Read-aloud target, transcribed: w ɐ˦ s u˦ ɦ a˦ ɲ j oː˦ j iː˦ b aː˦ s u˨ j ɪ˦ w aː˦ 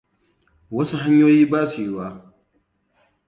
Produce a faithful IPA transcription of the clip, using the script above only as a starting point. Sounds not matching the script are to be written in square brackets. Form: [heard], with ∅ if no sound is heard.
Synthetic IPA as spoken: w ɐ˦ s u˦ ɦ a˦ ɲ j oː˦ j iː˦ b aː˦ s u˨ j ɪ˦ w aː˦